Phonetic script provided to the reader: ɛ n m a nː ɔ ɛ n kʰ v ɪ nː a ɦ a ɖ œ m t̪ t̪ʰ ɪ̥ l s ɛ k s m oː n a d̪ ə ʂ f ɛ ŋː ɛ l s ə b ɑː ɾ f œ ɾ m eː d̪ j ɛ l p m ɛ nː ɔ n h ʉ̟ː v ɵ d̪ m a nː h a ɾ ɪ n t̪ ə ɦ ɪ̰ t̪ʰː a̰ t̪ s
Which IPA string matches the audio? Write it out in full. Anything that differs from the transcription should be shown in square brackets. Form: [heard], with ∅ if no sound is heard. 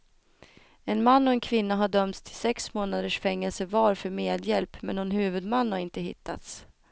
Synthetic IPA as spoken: ɛ n m a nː ɔ ɛ n kʰ v ɪ nː a ɦ a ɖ œ m t̪ t̪ʰ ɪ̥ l s ɛ k s m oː n a d̪ ə ʂ f ɛ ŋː ɛ l s ə [v] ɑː ɾ f œ ɾ m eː d̪ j ɛ l p m ɛ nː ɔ n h ʉ̟ː v ɵ d̪ m a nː h a ɾ ɪ n t̪ ə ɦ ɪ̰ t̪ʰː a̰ t̪ s

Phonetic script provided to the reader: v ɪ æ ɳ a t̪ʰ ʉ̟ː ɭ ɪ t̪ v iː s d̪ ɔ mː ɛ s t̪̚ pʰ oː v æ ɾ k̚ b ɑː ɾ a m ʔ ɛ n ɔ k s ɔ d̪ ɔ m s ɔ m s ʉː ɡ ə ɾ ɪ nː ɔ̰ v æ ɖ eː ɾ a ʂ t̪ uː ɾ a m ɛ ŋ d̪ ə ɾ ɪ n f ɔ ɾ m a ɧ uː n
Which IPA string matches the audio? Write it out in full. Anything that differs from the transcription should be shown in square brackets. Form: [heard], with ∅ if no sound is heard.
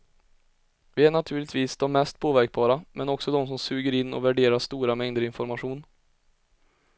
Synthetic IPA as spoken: v ɪ æ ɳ a t̪ʰ ʉ̟ː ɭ ɪ t̪ v iː s d̪ ɔ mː ɛ s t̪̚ pʰ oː v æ ɾ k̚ b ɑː ɾ a m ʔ ɛ n ɔ k s ɔ d̪ ɔ m s ɔ m s ʉː ɡ ə ɾ ɪ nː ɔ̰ v æ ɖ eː ɾ a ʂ t̪ uː ɾ a m ɛ ŋ d̪ ə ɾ ɪ n f ɔ ɾ m a ɧ uː n

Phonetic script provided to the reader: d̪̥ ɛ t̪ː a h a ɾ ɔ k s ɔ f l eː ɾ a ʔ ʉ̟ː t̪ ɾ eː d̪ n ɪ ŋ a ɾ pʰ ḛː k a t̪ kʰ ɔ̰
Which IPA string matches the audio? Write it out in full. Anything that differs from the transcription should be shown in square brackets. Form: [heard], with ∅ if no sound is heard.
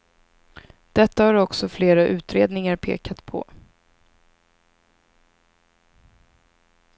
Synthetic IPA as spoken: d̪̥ ɛ t̪ː a h a ɾ ɔ k s ɔ f l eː ɾ a ʔ ʉ̟ː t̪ ɾ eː d̪ n ɪ ŋ a ɾ pʰ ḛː k a t̪ [pʰ] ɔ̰

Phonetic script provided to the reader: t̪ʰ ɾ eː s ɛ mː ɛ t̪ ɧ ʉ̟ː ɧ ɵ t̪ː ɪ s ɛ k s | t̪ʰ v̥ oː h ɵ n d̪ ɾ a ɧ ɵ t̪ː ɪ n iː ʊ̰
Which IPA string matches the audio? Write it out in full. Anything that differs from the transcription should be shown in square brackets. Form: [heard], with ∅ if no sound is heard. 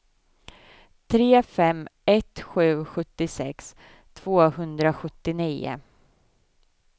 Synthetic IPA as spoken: t̪ʰ ɾ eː [f] ɛ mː ɛ t̪ ɧ ʉ̟ː ɧ ɵ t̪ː ɪ s ɛ k s | t̪ʰ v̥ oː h ɵ n d̪ ɾ a ɧ ɵ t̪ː ɪ n iː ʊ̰

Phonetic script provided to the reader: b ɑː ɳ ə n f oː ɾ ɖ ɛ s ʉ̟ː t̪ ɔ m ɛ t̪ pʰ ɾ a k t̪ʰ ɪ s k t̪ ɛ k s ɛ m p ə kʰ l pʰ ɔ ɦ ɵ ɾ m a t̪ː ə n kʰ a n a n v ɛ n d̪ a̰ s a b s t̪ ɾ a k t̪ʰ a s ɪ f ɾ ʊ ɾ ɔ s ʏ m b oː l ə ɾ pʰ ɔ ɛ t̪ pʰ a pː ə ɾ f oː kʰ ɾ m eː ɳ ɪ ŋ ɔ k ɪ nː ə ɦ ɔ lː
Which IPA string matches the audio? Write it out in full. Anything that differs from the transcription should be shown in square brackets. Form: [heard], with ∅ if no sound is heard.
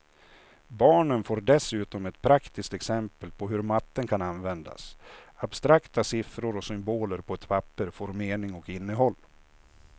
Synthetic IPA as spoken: b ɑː ɳ ə n f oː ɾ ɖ ɛ s ʉ̟ː t̪ ɔ m ɛ t̪ pʰ ɾ a k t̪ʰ ɪ s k t̪ ɛ k s ɛ m p ə [∅] l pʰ ɔ ɦ ɵ ɾ m a t̪ː ə n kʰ a n a n v ɛ n d̪ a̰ s a b s t̪ ɾ a k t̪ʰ a s ɪ f ɾ ʊ ɾ ɔ s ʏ m b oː l ə ɾ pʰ ɔ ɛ t̪ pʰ a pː ə ɾ f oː [∅] ɾ m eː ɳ ɪ ŋ ɔ k ɪ nː ə ɦ ɔ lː

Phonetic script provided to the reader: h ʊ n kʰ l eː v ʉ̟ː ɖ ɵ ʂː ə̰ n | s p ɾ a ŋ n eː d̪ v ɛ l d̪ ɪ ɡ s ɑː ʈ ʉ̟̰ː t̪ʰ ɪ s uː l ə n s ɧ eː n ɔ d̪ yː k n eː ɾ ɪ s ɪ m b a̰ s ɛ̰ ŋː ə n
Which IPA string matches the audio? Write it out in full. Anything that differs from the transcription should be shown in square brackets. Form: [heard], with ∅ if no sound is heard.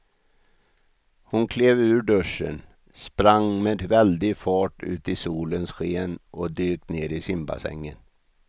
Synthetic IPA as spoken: h ʊ n kʰ l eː v ʉ̟ː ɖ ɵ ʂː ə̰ n | s p ɾ a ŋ [m] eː d̪ v ɛ l d̪ ɪ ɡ [f] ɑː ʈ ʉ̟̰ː [t̪] ɪ s uː l ə n s ɧ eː n ɔ d̪ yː k n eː ɾ ɪ s ɪ m b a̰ s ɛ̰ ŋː ə n

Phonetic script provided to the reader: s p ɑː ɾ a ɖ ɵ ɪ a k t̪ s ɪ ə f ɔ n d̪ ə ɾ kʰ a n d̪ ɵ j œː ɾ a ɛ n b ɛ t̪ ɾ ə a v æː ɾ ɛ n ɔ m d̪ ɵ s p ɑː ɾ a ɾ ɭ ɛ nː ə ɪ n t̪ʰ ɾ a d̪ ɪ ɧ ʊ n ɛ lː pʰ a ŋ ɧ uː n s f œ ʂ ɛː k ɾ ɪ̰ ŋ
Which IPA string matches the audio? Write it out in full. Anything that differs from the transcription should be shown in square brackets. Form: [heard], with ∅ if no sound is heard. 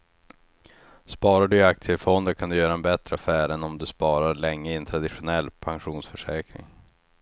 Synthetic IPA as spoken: s p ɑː ɾ a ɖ ɵ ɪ a k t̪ s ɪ ə f ɔ n d̪ ə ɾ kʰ a n d̪ ɵ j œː ɾ a ɛ n b ɛ t̪ ɾ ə a [f] æː ɾ ɛ n ɔ m d̪ ɵ s p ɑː ɾ a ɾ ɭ ɛ [ŋː] ə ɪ n t̪ʰ ɾ a d̪ ɪ ɧ ʊ n ɛ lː pʰ a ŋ ɧ uː n s f œ ʂ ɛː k ɾ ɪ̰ ŋ

